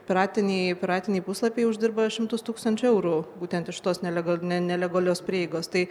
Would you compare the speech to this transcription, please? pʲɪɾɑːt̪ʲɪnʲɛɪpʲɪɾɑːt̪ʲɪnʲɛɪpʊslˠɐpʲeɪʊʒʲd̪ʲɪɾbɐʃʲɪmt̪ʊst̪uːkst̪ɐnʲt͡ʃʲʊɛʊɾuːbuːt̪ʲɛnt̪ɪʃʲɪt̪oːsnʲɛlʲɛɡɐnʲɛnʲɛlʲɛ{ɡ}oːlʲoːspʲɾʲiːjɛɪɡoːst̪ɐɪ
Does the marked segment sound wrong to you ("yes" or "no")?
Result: no